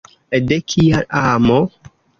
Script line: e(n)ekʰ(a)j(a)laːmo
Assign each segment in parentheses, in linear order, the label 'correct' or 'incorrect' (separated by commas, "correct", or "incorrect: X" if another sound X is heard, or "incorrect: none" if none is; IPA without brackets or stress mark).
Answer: incorrect: d, incorrect: i, correct